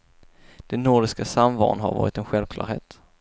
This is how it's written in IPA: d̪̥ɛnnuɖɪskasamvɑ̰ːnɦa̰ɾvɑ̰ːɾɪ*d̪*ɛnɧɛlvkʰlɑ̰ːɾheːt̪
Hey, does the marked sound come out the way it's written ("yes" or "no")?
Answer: no